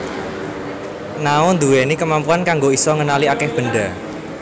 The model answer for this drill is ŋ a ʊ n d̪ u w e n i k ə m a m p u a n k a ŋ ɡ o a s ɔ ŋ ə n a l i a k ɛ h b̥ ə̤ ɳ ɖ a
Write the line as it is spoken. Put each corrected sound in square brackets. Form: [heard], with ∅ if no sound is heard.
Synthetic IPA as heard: [n] a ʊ n d̪ u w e n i k ə m a m p u a n k a ŋ ɡ o [i] s ɔ ŋ ə n a l i a k ɛ h b̥ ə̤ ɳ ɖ a